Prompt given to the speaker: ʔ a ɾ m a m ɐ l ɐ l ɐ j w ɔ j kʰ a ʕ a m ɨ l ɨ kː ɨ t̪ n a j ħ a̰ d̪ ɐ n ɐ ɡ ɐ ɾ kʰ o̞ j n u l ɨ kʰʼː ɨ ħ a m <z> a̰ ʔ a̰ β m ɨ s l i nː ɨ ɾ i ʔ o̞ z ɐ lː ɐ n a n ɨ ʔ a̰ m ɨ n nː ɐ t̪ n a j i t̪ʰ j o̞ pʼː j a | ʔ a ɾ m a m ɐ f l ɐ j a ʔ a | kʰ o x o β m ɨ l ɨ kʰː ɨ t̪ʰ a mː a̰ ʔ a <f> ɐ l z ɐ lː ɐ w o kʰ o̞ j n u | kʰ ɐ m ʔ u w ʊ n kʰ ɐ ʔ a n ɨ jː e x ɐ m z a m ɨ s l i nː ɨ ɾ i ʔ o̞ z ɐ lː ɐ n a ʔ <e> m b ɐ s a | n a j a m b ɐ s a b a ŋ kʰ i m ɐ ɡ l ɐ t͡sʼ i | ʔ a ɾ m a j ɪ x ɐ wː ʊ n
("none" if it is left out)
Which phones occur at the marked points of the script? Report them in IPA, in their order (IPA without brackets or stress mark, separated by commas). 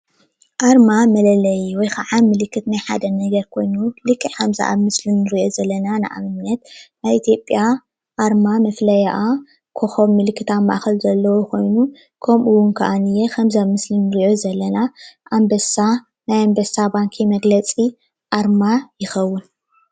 z, x, a